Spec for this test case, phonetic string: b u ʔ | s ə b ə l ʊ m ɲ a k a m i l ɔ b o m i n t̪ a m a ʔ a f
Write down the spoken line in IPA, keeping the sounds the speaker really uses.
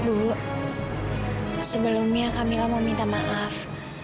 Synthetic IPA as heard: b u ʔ | s ə b ə l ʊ m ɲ a k a m i l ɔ m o m i n t̪ a m a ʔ a f